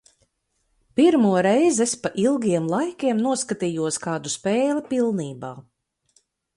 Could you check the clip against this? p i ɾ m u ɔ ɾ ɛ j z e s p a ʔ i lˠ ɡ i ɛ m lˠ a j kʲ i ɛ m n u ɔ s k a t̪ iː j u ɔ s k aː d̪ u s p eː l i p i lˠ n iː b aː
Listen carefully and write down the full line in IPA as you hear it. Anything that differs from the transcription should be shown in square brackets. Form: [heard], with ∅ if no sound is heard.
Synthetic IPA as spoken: p i ɾ m u ɔ ɾ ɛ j z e s p a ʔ i lˠ ɡ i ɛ m lˠ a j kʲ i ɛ m n u ɔ s k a t̪ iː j u ɔ s k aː d̪ u s p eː l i p i lˠ n iː b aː